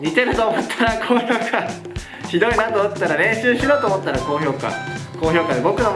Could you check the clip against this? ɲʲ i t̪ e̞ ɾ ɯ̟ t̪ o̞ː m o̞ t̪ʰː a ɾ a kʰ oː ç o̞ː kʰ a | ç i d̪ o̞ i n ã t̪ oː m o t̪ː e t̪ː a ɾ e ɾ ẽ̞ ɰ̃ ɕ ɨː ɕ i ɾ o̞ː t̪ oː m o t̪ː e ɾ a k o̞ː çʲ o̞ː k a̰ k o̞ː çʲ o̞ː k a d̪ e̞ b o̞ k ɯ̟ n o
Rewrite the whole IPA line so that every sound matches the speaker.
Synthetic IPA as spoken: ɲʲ i t̪ e̞ ɾ ɯ̟ t̪ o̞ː m o̞ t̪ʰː a ɾ a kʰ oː ç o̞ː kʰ a | ç i d̪ o̞ i n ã t̪ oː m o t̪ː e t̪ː a ɾ a ɾ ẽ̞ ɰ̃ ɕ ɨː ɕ i ɾ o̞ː t̪ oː m o t̪ː a ɾ a k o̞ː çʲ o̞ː k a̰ k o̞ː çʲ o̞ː k a d̪ e̞ b o̞ k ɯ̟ n o

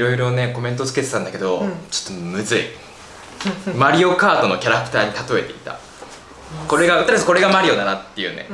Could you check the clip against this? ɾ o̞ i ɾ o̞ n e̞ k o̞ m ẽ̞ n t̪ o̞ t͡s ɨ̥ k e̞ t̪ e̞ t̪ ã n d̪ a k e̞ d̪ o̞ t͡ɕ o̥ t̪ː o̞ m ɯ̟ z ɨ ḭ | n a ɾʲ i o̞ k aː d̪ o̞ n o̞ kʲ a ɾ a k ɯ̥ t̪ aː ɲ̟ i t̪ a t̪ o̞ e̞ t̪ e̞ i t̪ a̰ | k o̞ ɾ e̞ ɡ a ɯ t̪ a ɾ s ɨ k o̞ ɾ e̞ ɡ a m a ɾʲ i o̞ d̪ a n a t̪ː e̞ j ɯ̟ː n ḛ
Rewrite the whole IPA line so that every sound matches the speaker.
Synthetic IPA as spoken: ɾ o̞ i ɾ o̞ n e̞ k o̞ m ẽ̞ n t̪ o̞ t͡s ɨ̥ k e̞ t̪ e̞ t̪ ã n d̪ a k e̞ d̪ o̞ t͡ɕ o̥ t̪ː o̞ m ɯ̟ z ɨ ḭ | m a ɾʲ i o̞ k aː t̪ o̞ n o̞ kʲ a ɾ a k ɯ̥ t̪ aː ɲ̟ i t̪ a t̪ o̞ e̞ t̪ e̞ i t̪ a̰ | k o̞ ɾ e̞ ɡ a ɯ t̪ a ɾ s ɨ k o̞ ɾ e̞ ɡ a m a ɾʲ i o̞ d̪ a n a t̪ː e̞ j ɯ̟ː n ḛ

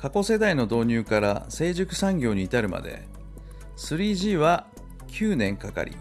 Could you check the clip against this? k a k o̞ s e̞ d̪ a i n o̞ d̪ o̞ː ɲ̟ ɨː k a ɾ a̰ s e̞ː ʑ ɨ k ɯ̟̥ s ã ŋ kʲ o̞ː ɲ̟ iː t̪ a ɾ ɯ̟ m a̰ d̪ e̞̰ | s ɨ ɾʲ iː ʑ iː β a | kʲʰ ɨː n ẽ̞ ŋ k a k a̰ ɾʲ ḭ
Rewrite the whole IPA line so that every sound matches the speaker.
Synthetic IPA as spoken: k a k o̞ s e̞ d̪ a i n o̞ d̪ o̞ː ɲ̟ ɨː k a ɾ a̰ s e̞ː ʑ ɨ k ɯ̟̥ s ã ŋ ɡʲ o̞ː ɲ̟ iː t̪ a ɾ ɯ̟ m a̰ d̪ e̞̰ | s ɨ ɾʲ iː ʑ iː β a | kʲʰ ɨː n ẽ̞ ŋ k a k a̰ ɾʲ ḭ

